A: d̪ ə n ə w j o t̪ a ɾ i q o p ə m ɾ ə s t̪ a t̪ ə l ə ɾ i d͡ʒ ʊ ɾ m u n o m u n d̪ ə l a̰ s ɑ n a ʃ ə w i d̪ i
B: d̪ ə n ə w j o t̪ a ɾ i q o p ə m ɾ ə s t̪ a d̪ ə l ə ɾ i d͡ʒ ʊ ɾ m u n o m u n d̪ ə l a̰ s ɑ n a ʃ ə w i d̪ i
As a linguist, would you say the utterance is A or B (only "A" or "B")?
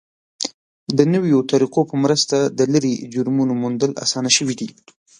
B